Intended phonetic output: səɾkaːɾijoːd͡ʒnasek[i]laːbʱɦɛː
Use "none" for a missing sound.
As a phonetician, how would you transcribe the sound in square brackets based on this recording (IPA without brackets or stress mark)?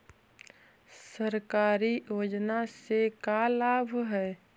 a